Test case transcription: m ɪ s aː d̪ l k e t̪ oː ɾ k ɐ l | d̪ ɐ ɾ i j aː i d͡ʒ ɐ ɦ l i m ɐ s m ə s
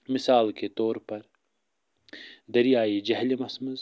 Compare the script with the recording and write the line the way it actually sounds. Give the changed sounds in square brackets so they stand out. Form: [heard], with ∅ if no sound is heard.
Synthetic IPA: m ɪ s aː [∅] l k e t̪ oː ɾ [p] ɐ [ɾ] | d̪ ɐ ɾ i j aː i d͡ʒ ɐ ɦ l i m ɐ s m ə [z]